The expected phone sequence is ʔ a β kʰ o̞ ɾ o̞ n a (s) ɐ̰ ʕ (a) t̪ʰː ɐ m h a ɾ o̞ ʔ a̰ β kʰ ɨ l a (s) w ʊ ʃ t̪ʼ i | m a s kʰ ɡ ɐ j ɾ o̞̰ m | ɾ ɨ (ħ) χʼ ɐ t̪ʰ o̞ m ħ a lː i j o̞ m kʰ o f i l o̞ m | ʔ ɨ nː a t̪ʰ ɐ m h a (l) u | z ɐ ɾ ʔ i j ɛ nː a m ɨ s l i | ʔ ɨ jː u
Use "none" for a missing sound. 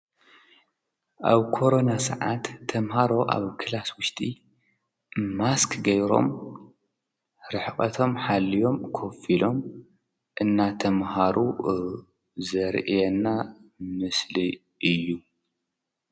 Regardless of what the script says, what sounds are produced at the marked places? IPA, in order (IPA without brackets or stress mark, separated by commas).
s, a, s, ħ, ɾ